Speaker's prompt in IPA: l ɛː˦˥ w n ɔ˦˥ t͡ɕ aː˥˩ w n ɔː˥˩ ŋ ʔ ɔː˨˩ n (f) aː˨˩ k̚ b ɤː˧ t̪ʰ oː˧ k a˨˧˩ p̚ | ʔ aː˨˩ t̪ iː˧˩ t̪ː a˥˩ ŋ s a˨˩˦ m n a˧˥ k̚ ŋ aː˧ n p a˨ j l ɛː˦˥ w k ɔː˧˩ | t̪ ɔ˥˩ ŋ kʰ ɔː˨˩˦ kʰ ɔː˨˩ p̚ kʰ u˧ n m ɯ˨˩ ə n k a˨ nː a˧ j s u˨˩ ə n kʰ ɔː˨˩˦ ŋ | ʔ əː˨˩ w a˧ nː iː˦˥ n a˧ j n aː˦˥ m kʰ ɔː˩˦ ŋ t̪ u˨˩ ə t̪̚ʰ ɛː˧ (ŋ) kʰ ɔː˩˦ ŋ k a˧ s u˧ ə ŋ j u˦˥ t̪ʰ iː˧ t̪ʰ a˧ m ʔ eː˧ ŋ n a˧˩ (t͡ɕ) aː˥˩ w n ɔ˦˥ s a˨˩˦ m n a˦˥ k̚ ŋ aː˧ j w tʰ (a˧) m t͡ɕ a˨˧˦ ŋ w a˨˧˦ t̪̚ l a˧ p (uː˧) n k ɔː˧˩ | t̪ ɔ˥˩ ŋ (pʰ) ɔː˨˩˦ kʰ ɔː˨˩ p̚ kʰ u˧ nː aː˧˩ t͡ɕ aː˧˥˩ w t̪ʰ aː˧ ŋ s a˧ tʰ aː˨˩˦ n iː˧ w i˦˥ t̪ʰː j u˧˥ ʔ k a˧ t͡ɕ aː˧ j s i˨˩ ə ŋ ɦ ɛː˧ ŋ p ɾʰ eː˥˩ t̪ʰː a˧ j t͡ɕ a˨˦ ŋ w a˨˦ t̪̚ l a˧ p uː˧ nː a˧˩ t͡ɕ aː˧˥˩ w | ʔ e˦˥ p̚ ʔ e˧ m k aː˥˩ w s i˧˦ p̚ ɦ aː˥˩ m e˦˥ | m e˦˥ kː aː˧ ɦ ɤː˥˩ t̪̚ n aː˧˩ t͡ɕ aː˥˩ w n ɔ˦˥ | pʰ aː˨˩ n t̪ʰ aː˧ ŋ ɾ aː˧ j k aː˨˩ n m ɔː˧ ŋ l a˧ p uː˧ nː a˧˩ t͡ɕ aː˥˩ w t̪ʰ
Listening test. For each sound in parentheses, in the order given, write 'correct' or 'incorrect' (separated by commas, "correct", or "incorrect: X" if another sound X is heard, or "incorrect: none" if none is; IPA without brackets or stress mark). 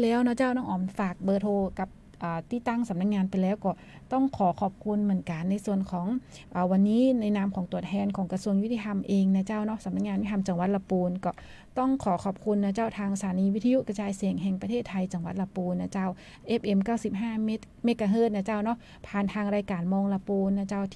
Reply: correct, incorrect: n, correct, correct, correct, incorrect: kʰ